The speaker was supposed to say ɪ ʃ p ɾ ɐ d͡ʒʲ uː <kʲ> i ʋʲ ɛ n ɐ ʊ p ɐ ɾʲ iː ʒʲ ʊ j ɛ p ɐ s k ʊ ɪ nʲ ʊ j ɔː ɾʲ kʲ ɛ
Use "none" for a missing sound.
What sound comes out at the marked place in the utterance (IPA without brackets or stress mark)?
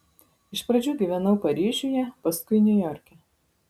ɡʲ